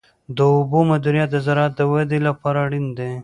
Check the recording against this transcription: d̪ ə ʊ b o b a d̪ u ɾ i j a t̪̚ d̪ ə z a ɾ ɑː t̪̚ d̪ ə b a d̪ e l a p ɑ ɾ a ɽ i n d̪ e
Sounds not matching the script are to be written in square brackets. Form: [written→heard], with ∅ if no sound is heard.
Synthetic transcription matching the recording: d̪ ə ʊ b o [b→m] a d̪ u ɾ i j a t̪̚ d̪ ə z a ɾ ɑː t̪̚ d̪ ə [b→w] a d̪ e l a p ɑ ɾ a ɽ i n d̪ e